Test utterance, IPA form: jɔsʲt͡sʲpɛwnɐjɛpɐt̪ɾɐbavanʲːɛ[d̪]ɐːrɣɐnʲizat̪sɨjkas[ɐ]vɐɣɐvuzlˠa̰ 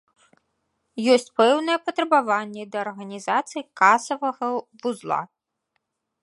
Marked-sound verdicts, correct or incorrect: correct, correct

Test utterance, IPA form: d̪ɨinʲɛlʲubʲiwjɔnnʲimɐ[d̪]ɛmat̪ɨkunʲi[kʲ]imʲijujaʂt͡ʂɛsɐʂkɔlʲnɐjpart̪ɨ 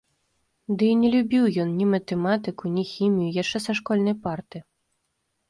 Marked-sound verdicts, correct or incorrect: incorrect: t̪, incorrect: xʲ

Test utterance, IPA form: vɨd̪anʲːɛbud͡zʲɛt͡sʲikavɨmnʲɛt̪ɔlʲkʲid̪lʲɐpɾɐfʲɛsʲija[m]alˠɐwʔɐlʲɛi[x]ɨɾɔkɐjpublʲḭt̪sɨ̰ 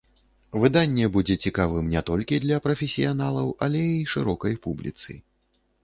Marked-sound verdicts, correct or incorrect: incorrect: n, incorrect: ʂ

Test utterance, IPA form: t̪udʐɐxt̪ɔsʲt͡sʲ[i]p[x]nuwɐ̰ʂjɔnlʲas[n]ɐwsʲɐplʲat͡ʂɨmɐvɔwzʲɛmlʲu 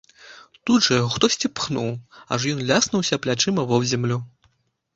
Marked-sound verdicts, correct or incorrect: correct, correct, correct

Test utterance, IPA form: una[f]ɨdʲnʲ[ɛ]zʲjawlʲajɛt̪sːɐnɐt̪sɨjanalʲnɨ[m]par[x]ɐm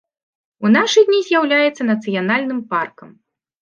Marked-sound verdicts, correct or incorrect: incorrect: ʂ, incorrect: i, correct, incorrect: k

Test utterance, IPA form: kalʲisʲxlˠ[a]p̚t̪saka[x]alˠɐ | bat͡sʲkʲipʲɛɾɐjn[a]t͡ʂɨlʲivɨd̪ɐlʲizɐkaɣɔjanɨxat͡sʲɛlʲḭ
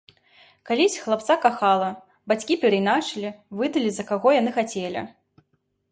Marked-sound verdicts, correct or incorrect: correct, correct, correct

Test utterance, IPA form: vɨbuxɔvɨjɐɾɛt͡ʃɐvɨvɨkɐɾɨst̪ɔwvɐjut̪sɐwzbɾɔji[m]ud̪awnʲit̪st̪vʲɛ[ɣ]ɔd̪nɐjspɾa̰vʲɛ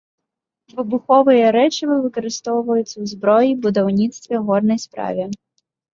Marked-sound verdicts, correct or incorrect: incorrect: b, correct

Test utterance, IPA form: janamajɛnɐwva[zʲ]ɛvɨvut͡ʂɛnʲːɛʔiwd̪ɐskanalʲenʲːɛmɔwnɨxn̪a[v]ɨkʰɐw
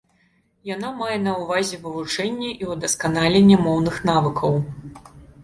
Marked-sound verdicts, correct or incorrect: correct, correct

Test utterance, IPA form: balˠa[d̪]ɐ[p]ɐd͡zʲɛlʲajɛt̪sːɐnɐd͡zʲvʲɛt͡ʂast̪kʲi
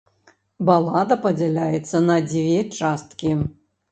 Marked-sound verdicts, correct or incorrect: correct, correct

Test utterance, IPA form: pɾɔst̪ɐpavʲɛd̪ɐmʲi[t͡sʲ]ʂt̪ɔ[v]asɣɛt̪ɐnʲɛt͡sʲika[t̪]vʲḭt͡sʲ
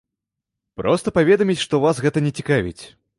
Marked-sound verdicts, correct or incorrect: correct, correct, incorrect: none

